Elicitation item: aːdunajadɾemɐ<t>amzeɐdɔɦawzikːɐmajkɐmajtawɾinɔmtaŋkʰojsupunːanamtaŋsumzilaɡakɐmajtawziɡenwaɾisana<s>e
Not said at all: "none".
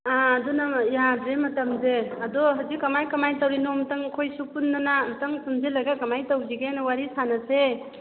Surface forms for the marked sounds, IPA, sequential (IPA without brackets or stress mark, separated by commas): t, s